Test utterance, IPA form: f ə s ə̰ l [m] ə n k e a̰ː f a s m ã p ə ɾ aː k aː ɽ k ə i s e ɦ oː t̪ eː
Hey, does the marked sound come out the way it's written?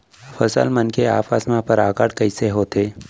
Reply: yes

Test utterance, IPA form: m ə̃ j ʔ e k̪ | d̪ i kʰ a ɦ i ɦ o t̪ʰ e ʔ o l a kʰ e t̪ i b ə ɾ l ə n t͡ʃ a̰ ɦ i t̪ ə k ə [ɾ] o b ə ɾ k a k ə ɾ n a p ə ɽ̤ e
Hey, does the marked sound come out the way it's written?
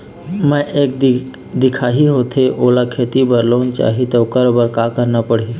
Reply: yes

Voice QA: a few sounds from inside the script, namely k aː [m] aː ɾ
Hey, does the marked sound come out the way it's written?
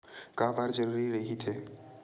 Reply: no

